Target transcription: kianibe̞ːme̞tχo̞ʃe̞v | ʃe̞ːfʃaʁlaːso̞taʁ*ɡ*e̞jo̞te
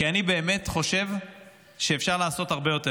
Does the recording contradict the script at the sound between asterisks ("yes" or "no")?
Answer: yes